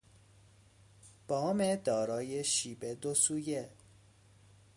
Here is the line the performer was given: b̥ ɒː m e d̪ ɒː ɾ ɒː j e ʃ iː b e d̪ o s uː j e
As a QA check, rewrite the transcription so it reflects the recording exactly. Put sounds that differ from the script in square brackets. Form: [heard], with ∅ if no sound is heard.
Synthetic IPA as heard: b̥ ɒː m e d̪ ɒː ɾ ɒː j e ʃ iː b e d̪ o s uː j e